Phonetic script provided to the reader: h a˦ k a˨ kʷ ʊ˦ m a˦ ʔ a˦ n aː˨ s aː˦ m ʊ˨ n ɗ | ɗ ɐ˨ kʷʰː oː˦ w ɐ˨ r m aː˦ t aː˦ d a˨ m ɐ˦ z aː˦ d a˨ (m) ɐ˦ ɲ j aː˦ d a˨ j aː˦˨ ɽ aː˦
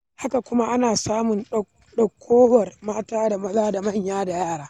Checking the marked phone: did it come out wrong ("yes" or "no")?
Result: no